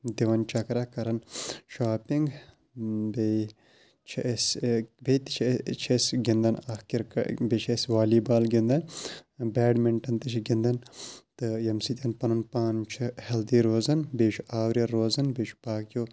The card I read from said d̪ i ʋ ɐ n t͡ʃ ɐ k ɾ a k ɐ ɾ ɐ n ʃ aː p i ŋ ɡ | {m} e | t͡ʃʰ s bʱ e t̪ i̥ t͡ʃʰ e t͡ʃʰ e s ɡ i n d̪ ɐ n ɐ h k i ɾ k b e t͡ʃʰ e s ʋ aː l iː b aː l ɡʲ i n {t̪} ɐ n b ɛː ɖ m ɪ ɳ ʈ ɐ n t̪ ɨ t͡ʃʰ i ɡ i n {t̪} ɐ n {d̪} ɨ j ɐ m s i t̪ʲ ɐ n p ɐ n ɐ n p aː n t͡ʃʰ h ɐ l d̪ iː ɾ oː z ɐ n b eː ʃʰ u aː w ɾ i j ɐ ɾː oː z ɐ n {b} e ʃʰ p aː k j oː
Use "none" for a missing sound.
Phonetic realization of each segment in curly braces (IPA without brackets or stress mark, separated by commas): b, d̪, d̪, t̪, b